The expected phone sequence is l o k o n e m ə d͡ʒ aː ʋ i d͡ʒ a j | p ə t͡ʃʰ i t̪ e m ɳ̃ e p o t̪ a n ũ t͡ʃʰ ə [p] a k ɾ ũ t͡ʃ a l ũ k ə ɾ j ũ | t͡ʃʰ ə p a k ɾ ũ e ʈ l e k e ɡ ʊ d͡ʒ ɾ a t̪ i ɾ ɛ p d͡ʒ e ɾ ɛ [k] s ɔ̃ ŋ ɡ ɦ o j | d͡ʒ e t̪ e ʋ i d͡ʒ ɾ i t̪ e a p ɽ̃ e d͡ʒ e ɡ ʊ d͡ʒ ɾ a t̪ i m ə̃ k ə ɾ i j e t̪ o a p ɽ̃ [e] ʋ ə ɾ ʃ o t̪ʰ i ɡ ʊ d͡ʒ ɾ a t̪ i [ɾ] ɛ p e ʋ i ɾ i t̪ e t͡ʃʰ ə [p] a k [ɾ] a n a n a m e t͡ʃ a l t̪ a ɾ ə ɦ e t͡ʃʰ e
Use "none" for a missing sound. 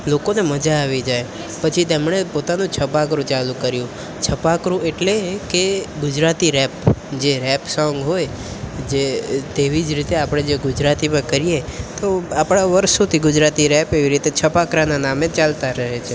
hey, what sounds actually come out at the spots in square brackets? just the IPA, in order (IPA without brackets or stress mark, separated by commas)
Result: p, p, a, ɾ, p, ɾ